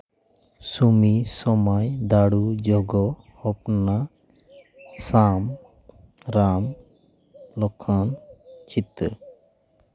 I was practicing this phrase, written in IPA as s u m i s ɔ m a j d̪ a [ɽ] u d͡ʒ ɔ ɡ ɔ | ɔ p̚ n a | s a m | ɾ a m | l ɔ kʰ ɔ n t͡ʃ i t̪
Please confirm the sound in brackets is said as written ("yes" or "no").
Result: yes